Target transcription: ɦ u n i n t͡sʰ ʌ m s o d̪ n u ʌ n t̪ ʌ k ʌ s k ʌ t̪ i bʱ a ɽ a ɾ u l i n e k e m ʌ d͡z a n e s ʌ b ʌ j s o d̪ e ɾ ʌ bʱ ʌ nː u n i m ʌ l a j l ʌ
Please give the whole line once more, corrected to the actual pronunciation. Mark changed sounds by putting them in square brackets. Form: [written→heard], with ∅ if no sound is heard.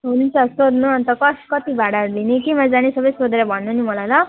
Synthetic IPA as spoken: ɦ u n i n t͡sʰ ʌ [m→∅] s o d̪ n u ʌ n t̪ ʌ k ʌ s k ʌ t̪ i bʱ a ɽ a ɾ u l i n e k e m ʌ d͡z a n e s ʌ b ʌ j s o d̪ e ɾ ʌ bʱ ʌ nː u n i m ʌ l a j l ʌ